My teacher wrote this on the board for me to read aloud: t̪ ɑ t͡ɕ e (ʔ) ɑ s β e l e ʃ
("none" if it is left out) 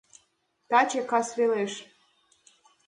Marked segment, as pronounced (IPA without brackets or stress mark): k